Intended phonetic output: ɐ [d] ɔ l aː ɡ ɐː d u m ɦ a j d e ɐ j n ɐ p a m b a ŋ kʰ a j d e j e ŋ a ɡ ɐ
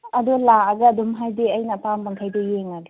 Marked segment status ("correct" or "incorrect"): correct